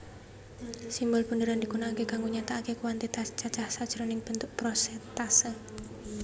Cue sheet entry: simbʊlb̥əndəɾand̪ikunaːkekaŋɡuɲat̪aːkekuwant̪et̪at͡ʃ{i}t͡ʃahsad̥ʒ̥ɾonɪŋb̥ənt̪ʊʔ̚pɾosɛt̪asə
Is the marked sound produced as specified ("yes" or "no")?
no